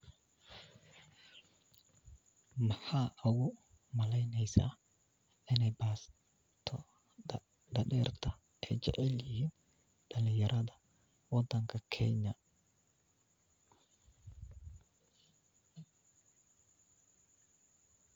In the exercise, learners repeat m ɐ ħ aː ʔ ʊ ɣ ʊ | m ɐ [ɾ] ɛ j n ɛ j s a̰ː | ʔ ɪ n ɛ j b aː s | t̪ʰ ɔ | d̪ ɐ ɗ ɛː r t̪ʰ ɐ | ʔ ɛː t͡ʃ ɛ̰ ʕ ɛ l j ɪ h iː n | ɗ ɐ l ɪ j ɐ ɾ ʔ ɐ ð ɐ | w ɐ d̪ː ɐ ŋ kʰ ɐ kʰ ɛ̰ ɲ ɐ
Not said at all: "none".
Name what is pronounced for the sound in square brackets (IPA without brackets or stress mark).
l